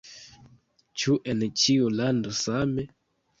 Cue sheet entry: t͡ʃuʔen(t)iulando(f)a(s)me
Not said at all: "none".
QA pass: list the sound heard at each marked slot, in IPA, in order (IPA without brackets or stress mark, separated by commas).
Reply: t͡ʃ, s, none